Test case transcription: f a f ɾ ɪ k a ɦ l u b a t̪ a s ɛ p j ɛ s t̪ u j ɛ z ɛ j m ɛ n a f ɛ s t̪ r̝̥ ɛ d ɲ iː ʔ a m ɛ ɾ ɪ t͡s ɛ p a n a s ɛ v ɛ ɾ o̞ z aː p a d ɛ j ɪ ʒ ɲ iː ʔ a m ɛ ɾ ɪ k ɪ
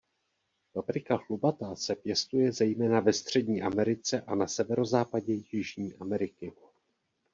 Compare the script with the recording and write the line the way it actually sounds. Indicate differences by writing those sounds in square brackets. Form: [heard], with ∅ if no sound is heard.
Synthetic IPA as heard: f a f ɾ ɪ k a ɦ l u b a t̪ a s ɛ p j ɛ s t̪ u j ɛ z ɛ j m [ɛː] n a [v] ɛ s t̪ r̝̥ ɛ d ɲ iː ʔ a m ɛ ɾ ɪ t͡s ɛ [ʔ] a n a s ɛ v ɛ ɾ o̞ z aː p a [ɟ] ɛ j ɪ ʒ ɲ iː ʔ a m ɛ ɾ ɪ k ɪ

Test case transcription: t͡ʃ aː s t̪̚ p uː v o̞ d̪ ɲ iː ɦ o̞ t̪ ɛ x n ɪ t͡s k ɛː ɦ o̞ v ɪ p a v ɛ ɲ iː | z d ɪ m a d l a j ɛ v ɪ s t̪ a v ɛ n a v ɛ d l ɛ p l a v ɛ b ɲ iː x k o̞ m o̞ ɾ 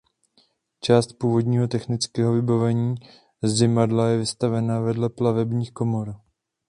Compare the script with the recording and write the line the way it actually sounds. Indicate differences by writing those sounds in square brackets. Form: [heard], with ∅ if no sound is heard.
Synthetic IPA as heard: t͡ʃ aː s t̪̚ p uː v o̞ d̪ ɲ iː ɦ o̞ t̪ ɛ x n ɪ t͡s k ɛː ɦ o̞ v ɪ [b] a v ɛ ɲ iː | z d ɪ m a d l a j ɛ v ɪ s t̪ a v ɛ n a v ɛ d l ɛ p l a v ɛ b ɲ iː x k o̞ m o̞ ɾ

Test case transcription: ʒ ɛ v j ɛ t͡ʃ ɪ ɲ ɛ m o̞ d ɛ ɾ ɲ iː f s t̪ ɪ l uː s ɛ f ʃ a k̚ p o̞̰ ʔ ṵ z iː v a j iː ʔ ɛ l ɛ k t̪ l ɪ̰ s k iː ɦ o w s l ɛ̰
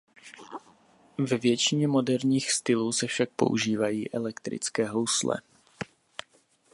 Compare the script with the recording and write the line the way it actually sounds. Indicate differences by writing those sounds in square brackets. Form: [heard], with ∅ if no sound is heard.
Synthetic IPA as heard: [v] ɛ v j ɛ t͡ʃ ɪ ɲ ɛ m o̞ d ɛ ɾ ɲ iː [x] s t̪ ɪ l uː s ɛ f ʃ a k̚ p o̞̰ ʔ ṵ [ʒ] iː v a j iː ʔ ɛ l ɛ k t̪ [ɾ] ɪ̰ [t͡s] k [ɛː] ɦ o w s l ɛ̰

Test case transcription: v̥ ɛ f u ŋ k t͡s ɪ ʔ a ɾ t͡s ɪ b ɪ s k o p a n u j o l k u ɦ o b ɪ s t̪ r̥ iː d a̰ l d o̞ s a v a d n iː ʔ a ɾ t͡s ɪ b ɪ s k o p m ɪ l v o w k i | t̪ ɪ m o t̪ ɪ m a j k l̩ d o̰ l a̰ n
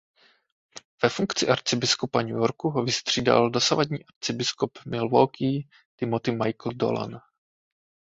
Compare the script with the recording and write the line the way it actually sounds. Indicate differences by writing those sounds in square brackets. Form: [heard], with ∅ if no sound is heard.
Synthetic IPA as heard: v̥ ɛ f u ŋ k t͡s ɪ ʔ a ɾ t͡s ɪ b ɪ s k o p a [ɲ] u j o [ɾ] k u ɦ o [v] ɪ s t̪ r̥ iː d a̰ l d o̞ s a v a d [ɲ] iː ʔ a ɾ t͡s ɪ b ɪ s k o p m ɪ l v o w k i | t̪ ɪ m o t̪ ɪ m a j k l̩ d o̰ l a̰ n

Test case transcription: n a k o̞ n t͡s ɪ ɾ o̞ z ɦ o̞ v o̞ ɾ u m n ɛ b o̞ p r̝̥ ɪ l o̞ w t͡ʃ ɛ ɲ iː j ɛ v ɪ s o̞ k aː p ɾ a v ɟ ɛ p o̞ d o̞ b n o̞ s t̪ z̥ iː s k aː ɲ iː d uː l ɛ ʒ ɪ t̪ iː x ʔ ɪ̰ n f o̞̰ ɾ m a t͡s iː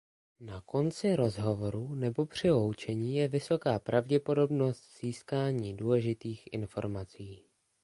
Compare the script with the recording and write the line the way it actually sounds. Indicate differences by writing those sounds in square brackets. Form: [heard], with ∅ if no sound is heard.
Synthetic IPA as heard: n a k o̞ n t͡s ɪ ɾ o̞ z ɦ o̞ v o̞ ɾ u [∅] n ɛ b o̞ p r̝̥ ɪ l o̞ w t͡ʃ ɛ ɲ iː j ɛ v ɪ s o̞ k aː p ɾ a v ɟ ɛ p o̞ d o̞ b n o̞ s t̪ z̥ iː s k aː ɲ iː d uː l ɛ ʒ ɪ t̪ iː x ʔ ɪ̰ n f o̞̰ ɾ m a t͡s iː

